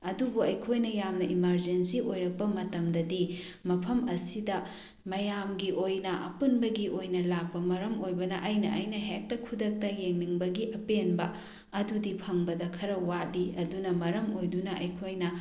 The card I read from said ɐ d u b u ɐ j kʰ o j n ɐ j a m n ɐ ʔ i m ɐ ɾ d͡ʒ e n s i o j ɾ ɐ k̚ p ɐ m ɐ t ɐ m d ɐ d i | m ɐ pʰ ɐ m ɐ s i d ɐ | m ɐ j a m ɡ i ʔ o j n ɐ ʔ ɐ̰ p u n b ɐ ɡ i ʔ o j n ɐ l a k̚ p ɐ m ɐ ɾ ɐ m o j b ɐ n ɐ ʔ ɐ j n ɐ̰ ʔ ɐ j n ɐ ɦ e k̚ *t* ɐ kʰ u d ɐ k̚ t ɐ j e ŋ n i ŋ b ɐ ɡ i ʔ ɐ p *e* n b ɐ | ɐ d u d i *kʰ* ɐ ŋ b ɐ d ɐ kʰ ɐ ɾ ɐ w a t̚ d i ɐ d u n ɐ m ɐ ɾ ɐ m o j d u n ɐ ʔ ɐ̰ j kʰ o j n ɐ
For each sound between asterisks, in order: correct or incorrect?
correct, correct, incorrect

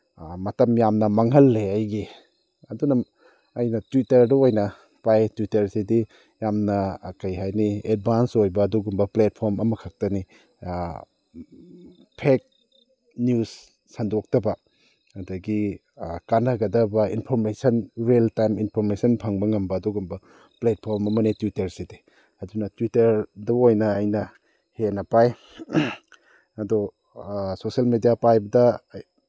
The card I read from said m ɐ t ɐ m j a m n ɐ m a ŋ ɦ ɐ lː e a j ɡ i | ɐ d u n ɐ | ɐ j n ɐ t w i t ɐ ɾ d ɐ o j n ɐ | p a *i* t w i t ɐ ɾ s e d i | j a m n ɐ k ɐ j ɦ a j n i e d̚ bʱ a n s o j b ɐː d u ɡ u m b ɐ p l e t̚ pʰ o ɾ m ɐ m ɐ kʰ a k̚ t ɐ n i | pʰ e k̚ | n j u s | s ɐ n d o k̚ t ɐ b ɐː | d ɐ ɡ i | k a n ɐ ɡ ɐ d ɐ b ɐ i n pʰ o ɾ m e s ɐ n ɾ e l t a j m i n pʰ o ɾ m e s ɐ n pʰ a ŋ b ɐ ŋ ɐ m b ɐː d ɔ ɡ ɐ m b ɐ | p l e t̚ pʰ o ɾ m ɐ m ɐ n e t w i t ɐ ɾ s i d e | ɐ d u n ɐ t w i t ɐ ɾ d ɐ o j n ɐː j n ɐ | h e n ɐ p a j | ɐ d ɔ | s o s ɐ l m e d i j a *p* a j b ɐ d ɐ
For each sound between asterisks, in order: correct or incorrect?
incorrect, correct

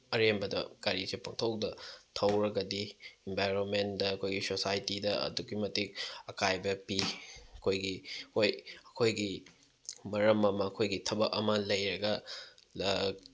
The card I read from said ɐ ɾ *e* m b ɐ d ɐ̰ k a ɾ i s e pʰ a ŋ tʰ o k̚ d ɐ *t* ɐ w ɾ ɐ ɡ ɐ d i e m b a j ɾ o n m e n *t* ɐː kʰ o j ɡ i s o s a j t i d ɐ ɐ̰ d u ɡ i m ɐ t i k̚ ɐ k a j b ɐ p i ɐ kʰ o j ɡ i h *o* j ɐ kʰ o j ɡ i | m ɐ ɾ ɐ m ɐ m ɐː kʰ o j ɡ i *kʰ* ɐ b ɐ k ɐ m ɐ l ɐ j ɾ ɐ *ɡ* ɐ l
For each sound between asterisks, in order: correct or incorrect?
correct, incorrect, incorrect, correct, incorrect, correct

